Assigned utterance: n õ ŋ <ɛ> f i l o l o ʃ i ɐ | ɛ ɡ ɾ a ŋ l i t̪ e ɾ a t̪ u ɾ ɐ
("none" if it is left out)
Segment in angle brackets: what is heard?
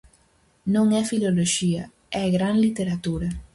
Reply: ɛ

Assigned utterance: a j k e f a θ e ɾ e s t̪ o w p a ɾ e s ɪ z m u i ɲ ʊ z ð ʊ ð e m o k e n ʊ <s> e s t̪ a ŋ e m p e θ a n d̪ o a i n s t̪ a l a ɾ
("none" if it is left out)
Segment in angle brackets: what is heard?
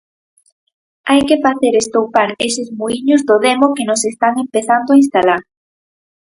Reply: s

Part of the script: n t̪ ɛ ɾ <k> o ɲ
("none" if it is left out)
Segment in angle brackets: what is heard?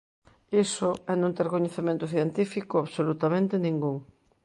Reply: k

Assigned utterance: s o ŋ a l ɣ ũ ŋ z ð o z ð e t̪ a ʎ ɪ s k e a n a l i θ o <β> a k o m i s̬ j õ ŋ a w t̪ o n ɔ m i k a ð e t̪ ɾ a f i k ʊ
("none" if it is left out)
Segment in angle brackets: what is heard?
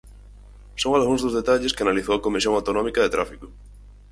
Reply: w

